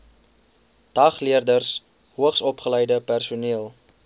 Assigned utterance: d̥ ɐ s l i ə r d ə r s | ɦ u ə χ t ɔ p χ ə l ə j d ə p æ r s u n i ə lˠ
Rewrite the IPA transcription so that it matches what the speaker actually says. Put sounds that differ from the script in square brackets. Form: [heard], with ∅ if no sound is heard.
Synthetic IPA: d̥ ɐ [χ] l i ə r d ə r s | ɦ u ə χ [s] ɔ p χ ə l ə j d ə p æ r s u n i ə lˠ